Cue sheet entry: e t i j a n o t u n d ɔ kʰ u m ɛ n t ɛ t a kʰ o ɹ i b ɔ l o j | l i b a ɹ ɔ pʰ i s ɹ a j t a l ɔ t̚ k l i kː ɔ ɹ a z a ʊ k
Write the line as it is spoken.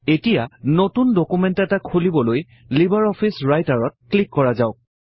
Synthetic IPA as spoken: e t i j a n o t u n d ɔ k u m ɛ n t ɛ t a kʰ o l i b ɔ l o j | l i b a ɹ ɔ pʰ i s ɹ a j t a ɹ ɔ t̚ k l i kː ɔ ɹ a z a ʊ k